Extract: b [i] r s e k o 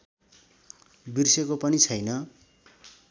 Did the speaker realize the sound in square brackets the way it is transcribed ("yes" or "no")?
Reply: yes